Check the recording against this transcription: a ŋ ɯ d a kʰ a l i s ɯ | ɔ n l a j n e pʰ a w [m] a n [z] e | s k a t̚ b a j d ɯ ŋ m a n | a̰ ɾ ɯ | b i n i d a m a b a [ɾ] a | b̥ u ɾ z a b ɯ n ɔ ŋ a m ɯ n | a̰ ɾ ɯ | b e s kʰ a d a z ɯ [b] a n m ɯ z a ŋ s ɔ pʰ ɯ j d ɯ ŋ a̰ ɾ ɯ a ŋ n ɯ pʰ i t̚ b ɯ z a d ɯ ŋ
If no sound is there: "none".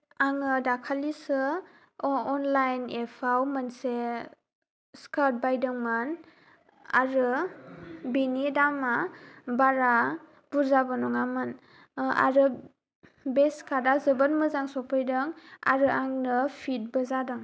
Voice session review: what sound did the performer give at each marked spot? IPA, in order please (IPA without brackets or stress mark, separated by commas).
m, s, ɾ, b